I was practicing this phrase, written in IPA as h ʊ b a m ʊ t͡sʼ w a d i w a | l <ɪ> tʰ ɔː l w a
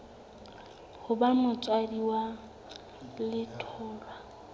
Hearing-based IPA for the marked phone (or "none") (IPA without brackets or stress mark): ɪ